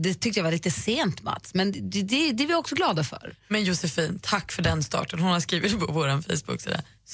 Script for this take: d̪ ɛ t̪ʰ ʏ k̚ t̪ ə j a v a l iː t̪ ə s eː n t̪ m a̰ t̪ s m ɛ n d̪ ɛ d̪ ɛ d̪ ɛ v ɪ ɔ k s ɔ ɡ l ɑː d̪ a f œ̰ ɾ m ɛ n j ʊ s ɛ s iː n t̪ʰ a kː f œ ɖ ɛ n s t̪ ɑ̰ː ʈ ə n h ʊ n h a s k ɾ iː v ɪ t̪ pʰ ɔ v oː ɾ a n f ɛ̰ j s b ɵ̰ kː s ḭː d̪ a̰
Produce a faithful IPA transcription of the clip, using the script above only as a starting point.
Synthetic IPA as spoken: d̪ ɛ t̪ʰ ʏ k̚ t̪ ə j a v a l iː t̪ ə s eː n t̪ m a̰ t̪ s m ɛ n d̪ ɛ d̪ ɛ d̪ ɛ v ɪ ɔ k s ɔ ɡ l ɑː d̪ a f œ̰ ɾ m ɛ n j ʊ s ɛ f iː n t̪ʰ a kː f œ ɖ ɛ n s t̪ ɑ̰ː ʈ ə n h ʊ n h a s k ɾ iː v ɪ t̪ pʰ ɔ v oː ɾ a n f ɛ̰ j s b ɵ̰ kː s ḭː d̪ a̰